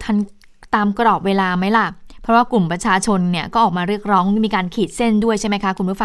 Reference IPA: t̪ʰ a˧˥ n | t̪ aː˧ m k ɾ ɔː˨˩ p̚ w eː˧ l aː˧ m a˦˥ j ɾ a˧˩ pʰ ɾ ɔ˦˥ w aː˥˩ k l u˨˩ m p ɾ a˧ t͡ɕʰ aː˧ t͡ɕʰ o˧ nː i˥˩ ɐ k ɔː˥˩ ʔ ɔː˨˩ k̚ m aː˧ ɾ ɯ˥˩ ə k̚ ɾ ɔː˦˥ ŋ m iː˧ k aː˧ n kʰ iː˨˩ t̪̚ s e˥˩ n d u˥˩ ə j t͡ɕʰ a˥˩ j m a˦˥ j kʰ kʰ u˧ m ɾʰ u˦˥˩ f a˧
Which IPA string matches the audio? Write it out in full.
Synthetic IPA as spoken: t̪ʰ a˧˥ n | t̪ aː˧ m k ɾ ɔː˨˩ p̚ w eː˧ l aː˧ m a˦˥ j l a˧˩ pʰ ɾ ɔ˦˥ w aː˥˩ k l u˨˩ m p ɾ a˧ t͡ɕʰ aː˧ t͡ɕʰ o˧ nː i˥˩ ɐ k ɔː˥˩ ʔ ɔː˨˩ k̚ m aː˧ ɾ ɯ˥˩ ə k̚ ɾ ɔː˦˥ ŋ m iː˧ k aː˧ n kʰ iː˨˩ t̪̚ s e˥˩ n d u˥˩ ə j t͡ɕʰ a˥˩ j m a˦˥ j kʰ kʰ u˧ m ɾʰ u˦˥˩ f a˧